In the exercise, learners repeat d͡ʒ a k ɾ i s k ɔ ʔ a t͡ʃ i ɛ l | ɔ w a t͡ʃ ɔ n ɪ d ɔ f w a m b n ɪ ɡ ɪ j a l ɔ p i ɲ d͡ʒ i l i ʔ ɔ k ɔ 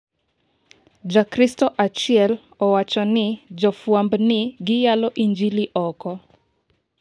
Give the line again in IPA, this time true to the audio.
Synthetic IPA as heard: d͡ʒ a k ɾ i s t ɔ ʔ a t͡ʃ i ɛ l | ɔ w a t͡ʃ ɔ n ɪ d͡ʒ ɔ f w a m b n ɪ ɡ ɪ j a l ɔ ʔ i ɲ d͡ʒ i l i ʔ ɔ k ɔ